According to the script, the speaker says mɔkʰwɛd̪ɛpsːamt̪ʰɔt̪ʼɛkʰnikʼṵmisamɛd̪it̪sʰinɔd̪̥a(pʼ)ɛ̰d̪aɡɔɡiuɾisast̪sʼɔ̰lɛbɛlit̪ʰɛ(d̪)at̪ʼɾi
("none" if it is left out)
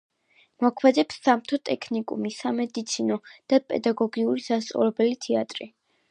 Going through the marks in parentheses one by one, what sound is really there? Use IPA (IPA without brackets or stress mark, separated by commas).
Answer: pʼ, none